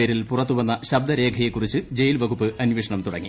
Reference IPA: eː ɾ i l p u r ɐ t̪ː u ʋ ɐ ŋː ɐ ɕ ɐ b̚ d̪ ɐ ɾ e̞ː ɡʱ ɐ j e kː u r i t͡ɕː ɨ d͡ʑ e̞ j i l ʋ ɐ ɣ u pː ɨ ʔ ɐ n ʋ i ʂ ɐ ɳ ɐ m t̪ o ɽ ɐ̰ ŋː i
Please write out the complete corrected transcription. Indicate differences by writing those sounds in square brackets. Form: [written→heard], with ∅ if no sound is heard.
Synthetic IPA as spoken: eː ɾ i l p u r ɐ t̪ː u ʋ ɐ [ŋː→nː] ɐ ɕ ɐ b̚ d̪ ɐ ɾ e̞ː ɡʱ ɐ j e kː u r i t͡ɕː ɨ d͡ʑ e̞ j i l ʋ ɐ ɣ u pː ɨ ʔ ɐ n ʋ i ʂ ɐ ɳ ɐ m t̪ [o→u] ɽ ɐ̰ ŋː i